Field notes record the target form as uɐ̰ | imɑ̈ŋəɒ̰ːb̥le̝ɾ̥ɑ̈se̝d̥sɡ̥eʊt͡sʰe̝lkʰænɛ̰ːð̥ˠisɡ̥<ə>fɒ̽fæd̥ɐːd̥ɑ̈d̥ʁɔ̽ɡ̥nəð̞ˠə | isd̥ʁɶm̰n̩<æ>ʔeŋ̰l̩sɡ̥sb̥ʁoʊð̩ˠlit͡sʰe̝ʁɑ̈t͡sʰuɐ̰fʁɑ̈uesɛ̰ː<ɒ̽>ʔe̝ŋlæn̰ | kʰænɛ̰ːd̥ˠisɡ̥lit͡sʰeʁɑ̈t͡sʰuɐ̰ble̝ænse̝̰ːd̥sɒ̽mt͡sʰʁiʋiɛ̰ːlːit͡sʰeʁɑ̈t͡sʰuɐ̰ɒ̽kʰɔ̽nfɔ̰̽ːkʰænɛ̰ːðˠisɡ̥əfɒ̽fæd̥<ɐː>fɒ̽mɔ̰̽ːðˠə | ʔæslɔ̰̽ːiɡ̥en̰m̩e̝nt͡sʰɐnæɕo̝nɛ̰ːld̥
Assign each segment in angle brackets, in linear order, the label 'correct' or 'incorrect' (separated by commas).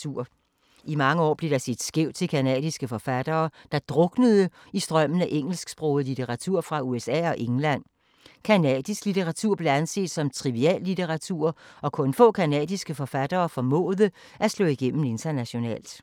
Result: correct, correct, correct, correct